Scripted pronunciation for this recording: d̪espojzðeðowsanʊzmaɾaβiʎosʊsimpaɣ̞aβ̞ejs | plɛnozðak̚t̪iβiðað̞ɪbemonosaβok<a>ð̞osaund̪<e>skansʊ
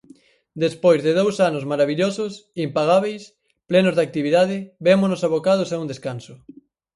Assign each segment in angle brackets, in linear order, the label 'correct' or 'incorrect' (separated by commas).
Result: correct, correct